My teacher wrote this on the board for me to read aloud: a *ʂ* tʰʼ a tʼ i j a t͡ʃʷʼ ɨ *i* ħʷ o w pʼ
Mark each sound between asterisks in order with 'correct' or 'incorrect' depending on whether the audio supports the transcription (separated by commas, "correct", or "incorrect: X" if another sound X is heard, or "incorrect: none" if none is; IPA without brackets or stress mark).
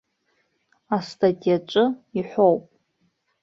incorrect: s, correct